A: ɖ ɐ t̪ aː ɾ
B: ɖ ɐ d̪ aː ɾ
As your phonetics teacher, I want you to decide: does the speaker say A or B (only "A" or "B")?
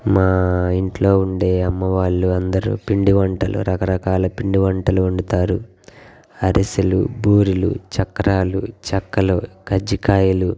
A